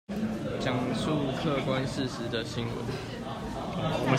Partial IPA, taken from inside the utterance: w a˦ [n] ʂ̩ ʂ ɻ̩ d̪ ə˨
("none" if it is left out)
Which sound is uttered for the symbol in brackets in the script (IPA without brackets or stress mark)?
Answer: n